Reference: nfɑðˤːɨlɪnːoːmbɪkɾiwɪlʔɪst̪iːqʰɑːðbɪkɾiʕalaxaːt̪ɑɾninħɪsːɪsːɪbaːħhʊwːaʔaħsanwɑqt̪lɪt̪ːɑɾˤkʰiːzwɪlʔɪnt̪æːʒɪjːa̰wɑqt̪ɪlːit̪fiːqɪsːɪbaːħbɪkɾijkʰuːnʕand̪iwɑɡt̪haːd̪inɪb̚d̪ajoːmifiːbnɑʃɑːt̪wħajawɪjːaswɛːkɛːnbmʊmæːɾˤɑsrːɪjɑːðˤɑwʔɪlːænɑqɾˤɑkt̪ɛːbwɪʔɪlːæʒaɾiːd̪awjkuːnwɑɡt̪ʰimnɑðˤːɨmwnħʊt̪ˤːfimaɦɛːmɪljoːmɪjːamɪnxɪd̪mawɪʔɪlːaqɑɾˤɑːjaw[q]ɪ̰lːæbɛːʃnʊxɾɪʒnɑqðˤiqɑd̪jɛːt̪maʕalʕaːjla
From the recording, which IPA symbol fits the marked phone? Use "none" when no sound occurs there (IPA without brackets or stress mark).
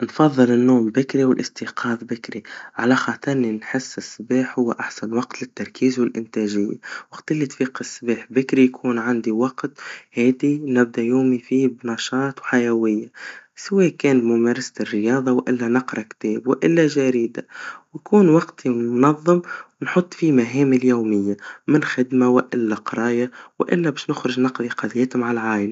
ʔ